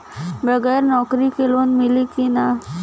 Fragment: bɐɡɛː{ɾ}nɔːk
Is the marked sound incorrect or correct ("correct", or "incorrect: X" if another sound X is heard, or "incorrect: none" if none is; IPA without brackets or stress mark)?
correct